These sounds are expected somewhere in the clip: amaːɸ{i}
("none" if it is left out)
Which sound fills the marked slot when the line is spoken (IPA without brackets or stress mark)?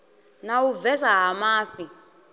i